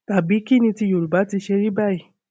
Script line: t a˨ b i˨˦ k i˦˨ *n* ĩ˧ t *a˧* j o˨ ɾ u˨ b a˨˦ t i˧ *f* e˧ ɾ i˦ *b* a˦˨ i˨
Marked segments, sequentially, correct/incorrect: correct, incorrect, incorrect, correct

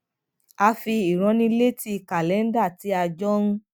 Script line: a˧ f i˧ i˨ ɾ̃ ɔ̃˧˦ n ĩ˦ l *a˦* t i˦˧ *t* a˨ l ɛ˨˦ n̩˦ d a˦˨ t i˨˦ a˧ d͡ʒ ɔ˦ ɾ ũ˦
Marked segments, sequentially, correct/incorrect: incorrect, incorrect

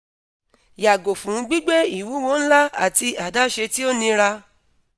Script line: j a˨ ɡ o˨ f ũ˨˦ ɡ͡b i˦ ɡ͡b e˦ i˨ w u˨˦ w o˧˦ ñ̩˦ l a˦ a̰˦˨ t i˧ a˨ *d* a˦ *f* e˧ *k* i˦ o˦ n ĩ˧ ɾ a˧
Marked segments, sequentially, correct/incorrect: correct, incorrect, incorrect

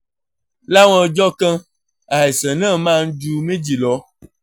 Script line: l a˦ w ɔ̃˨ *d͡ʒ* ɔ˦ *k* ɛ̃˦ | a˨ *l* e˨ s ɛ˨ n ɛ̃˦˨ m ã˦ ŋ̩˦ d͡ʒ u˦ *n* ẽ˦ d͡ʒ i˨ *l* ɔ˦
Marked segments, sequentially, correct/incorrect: correct, correct, incorrect, incorrect, correct

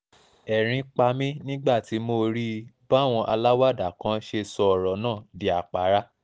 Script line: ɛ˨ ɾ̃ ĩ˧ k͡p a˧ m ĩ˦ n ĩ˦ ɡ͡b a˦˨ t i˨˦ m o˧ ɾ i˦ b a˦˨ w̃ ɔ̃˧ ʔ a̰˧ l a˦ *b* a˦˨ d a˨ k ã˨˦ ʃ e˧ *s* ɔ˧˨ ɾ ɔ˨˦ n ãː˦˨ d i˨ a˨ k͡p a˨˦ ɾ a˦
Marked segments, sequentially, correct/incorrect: incorrect, correct

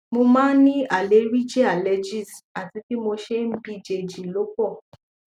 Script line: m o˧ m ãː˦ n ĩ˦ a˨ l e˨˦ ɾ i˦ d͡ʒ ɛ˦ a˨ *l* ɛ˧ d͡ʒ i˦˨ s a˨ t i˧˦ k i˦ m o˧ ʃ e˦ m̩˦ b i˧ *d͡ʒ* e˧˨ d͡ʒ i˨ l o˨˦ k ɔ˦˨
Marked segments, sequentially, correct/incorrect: correct, correct

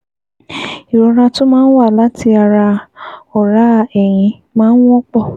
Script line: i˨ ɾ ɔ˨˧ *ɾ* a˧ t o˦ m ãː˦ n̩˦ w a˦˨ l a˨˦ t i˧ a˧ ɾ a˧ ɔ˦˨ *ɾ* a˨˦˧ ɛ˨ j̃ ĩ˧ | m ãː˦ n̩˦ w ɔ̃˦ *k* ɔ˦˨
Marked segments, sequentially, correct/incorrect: correct, correct, incorrect

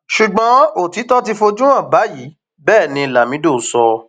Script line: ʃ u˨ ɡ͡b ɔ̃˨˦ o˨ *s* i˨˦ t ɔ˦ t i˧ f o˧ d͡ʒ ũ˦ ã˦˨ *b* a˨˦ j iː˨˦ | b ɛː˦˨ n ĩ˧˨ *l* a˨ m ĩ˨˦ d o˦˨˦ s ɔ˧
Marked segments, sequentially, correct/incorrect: incorrect, correct, correct

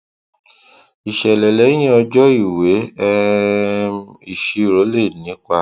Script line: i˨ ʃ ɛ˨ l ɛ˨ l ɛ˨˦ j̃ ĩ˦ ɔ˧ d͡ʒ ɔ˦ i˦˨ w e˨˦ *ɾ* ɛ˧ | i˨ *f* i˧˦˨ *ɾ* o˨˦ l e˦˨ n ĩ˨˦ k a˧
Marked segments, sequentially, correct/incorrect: incorrect, incorrect, correct

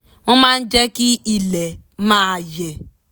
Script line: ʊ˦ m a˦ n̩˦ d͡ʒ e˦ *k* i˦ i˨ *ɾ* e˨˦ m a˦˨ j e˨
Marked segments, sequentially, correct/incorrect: correct, incorrect

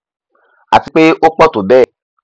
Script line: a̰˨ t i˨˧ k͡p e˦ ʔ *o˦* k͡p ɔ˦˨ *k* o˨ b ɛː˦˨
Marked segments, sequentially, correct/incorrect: correct, incorrect

